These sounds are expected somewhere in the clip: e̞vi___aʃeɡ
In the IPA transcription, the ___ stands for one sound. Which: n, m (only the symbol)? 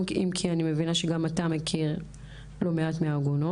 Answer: n